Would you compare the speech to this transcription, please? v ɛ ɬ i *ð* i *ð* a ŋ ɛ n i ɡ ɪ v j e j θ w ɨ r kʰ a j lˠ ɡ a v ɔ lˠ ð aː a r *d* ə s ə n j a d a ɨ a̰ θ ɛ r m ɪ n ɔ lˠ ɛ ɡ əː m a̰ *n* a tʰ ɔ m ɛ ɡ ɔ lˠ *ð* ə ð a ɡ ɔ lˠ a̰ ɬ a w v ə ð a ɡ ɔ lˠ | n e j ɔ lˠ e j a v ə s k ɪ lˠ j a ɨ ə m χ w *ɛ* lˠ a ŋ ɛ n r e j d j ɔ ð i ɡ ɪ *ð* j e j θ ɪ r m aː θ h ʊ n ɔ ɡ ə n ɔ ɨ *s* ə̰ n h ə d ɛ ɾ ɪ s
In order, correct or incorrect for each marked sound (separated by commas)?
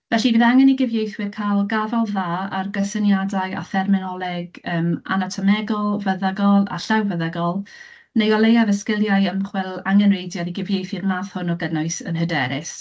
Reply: incorrect, correct, incorrect, correct, incorrect, correct, incorrect, correct